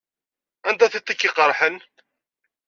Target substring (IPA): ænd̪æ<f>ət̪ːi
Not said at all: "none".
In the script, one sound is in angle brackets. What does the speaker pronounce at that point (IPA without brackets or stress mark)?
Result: θ